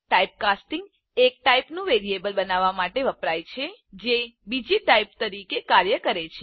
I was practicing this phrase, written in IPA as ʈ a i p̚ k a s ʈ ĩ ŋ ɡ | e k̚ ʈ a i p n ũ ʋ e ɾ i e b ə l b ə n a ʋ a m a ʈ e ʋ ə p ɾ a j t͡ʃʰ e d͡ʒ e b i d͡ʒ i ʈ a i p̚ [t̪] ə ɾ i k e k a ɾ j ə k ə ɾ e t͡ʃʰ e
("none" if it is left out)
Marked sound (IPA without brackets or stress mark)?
t̪